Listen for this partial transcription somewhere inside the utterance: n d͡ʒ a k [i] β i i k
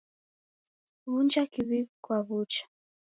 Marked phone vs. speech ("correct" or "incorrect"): correct